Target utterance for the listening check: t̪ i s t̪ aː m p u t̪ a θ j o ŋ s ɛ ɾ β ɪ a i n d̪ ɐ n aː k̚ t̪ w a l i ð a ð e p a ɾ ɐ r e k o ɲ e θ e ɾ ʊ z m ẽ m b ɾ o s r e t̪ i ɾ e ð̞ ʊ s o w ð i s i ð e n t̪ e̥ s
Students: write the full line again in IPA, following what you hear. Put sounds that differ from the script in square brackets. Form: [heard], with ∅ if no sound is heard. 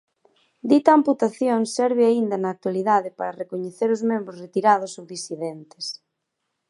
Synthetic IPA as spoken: [d̪] i [∅] t̪ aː m p u t̪ a θ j o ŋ s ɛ ɾ β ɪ a i n d̪ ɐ n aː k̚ t̪ w a l i ð a ð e p a ɾ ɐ r e k o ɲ e θ e ɾ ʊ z m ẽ m b ɾ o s r e t̪ i ɾ [a] ð̞ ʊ s o w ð i s i ð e n t̪ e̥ s